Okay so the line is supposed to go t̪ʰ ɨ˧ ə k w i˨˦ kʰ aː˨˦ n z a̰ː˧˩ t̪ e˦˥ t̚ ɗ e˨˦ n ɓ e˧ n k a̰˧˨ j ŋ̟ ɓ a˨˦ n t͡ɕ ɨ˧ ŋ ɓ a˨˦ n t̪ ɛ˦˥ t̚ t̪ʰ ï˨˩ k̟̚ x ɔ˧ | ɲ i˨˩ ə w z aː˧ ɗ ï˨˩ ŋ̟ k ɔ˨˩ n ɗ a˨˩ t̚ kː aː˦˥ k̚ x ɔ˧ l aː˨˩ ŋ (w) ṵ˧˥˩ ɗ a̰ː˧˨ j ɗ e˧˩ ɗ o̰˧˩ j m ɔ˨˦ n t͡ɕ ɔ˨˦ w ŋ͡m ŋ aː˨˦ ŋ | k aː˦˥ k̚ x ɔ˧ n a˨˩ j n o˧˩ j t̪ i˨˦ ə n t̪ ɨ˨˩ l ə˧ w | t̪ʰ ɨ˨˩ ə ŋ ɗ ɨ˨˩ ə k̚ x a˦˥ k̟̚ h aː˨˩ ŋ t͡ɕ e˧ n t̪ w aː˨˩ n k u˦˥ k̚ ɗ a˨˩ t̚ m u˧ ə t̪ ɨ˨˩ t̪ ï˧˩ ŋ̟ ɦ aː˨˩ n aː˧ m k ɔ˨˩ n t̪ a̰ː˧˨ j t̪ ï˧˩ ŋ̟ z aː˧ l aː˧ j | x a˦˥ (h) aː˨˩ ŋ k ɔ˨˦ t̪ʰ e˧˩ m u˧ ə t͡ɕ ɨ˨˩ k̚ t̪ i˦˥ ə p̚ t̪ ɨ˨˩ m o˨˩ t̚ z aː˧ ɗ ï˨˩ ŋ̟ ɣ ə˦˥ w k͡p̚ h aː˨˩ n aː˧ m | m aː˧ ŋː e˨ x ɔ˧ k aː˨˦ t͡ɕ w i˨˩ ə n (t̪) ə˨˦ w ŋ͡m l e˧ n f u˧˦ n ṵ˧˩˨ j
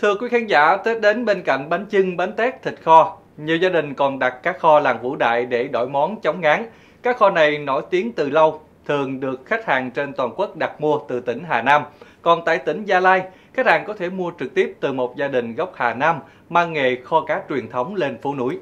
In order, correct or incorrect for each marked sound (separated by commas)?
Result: incorrect, correct, incorrect